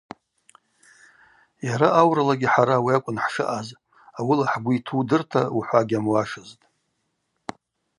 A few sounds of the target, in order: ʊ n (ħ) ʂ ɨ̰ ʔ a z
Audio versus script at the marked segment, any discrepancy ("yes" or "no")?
no